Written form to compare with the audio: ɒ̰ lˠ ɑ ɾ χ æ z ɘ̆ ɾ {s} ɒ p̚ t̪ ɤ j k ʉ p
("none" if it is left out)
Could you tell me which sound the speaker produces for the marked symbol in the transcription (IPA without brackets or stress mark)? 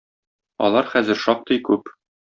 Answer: ʃ